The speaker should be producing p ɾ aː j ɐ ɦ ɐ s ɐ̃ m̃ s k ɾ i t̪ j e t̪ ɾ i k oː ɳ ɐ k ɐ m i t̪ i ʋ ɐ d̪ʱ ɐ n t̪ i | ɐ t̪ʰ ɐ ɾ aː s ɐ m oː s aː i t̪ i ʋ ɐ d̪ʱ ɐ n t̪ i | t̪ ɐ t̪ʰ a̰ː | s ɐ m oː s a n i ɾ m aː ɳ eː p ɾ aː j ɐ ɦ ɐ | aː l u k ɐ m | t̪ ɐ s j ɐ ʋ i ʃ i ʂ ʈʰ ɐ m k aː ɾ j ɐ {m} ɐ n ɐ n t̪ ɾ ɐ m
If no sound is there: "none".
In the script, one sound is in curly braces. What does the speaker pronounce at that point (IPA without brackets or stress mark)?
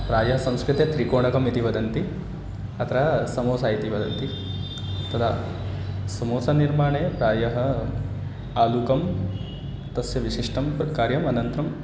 m